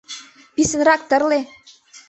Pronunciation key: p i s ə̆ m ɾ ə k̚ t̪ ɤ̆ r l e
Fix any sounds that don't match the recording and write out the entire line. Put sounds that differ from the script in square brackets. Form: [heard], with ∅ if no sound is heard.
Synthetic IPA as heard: p i s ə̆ [n] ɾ [ɑ] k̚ t̪ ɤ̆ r l e